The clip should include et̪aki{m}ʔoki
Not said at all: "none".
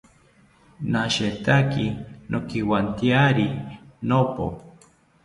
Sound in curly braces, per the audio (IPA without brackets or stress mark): n